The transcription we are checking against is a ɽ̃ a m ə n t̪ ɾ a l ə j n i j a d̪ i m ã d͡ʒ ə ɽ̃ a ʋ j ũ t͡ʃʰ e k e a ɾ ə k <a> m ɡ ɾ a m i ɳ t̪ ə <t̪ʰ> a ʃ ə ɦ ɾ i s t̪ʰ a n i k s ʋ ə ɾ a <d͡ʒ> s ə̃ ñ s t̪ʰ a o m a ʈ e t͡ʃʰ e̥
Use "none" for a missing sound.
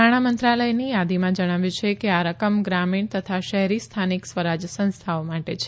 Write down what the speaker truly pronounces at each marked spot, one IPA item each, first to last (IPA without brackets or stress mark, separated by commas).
ə, t̪ʰ, d͡ʒ